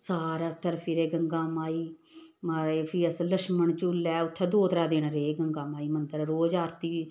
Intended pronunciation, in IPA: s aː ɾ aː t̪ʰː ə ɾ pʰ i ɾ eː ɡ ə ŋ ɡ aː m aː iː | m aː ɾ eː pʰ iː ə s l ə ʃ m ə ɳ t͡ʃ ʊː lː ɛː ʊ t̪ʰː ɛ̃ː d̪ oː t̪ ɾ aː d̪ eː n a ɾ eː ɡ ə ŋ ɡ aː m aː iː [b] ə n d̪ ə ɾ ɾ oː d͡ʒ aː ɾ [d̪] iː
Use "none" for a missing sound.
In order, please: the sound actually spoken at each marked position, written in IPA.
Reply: m, t̪

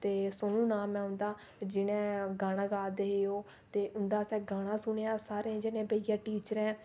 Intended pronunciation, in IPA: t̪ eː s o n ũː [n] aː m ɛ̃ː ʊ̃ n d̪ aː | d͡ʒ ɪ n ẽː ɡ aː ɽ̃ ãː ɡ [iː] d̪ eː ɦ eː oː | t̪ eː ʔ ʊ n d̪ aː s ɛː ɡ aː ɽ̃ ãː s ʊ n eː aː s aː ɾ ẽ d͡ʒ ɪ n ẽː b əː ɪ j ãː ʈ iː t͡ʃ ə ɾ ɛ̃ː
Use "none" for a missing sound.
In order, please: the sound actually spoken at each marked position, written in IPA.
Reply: n, aː

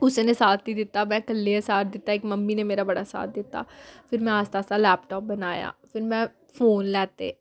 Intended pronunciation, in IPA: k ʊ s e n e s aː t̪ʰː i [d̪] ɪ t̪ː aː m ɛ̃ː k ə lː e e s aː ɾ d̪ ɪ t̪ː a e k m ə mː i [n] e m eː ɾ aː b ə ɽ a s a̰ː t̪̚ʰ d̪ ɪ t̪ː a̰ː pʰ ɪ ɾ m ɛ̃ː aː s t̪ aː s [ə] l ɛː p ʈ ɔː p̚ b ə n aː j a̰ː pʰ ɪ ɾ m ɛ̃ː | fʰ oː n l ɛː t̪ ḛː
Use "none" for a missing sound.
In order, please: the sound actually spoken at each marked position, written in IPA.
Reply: d̪, n, a

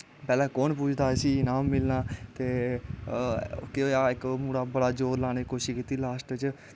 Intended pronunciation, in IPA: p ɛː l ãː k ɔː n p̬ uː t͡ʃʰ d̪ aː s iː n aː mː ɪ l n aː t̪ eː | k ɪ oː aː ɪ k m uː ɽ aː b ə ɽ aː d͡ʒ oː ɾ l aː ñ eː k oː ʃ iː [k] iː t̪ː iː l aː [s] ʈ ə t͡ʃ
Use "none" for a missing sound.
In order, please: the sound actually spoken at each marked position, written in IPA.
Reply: k, s

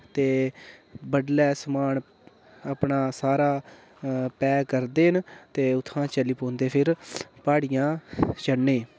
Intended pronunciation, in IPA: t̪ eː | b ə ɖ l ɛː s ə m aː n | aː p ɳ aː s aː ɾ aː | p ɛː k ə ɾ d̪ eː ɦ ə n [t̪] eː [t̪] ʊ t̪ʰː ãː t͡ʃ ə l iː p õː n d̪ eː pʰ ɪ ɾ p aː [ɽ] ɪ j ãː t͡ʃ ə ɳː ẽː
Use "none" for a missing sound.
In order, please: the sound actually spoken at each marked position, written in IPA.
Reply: t̪, none, ɽ

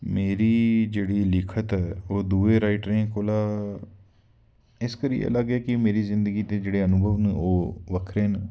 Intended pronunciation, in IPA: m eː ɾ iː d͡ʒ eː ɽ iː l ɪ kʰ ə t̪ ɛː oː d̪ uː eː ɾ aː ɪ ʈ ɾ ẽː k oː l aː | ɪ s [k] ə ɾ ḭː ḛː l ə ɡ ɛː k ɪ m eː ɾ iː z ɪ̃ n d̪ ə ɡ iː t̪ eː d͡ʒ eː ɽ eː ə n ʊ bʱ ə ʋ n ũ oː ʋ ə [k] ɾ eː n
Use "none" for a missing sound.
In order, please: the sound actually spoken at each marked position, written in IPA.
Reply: k, kʰ

